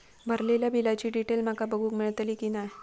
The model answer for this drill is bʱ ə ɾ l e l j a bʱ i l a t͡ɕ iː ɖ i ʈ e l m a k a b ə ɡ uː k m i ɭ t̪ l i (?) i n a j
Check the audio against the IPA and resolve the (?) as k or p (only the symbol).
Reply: k